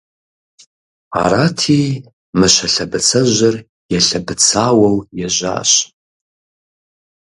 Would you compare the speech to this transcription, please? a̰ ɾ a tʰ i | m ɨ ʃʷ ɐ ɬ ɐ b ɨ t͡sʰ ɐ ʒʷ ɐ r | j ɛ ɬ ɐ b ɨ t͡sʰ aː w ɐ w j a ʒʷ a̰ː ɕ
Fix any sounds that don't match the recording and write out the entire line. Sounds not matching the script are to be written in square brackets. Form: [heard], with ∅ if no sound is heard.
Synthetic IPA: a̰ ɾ a tʰ i | m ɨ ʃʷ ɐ ɬ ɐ b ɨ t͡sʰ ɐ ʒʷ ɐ r | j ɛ ɬ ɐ b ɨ t͡sʰ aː w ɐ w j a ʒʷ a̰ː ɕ

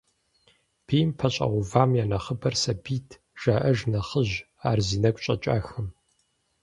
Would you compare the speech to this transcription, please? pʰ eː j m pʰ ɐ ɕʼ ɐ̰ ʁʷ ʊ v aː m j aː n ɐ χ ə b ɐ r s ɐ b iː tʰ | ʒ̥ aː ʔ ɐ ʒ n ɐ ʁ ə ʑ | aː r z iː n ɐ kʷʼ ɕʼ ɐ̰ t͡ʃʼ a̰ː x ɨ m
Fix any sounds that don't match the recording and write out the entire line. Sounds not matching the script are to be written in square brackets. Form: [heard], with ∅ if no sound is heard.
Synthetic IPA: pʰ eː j m pʰ ɐ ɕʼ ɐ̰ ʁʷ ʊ v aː m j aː n ɐ χ ə b ɐ r s ɐ b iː tʰ | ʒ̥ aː ʔ ɐ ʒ n ɐ [χ] ə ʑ | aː r z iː n ɐ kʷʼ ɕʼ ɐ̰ t͡ʃʼ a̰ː x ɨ m

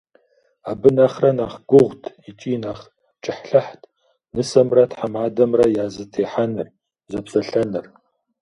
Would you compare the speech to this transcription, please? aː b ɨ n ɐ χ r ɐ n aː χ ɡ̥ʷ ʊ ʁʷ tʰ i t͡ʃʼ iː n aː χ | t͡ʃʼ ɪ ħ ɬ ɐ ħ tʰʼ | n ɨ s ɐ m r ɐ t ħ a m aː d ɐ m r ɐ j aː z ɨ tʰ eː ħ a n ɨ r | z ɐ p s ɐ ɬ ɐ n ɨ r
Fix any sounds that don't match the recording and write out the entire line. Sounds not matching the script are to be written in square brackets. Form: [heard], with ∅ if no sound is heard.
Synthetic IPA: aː b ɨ n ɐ χ r ɐ n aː χ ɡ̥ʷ ʊ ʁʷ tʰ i t͡ʃʼ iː n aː χ | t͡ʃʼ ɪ ħ ɬ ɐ ħ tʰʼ | n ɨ s ɐ m r ɐ t ħ a m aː d ɐ m r ɐ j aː z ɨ tʰ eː ħ a n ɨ r | z ɐ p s ɐ ɬ ɐ n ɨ r

